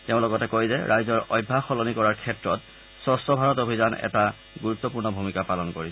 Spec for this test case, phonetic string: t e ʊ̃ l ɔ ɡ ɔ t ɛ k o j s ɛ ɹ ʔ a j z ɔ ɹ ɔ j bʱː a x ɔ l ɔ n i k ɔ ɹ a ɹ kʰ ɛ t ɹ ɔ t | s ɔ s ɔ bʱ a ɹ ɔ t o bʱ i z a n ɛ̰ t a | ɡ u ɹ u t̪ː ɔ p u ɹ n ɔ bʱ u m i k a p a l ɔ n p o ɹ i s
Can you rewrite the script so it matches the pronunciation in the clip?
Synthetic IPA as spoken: t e ʊ̃ l ɔ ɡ ɔ t ɛ k o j z ɛ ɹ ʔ a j z ɔ ɹ ɔ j bʱː a x ɔ l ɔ n i k ɔ ɹ a ɹ kʰ ɛ t ɹ ɔ t | s ɔ s ɔ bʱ a ɹ ɔ t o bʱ i z a n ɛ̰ t a | ɡ u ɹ u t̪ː ɔ p u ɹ n ɔ bʱ u m i k a p a l ɔ n k o ɹ i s